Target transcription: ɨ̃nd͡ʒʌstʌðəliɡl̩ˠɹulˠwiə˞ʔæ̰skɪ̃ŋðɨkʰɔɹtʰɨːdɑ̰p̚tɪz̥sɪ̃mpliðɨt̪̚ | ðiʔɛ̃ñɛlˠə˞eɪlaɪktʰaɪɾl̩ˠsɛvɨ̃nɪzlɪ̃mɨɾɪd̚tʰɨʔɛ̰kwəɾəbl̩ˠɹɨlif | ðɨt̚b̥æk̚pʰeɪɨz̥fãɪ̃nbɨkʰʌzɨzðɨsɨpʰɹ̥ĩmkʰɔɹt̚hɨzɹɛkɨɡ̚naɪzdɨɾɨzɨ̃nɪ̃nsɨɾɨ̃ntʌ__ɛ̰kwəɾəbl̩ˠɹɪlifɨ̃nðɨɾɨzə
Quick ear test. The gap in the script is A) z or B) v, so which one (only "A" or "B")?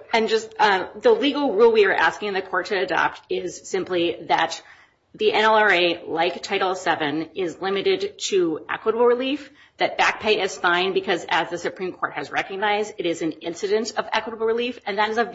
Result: B